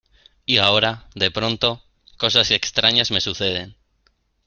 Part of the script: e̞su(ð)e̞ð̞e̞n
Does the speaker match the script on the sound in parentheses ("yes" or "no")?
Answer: no